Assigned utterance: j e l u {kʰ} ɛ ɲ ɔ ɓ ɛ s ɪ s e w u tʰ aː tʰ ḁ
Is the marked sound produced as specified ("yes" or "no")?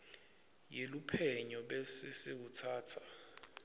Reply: no